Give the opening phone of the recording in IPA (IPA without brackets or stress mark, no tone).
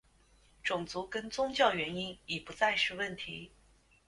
ʈ͡ʂ